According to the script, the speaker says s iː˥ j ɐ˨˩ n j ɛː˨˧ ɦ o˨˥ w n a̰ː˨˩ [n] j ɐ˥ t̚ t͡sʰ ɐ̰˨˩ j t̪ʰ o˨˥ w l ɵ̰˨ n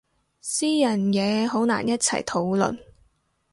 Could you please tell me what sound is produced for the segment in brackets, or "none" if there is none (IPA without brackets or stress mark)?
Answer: n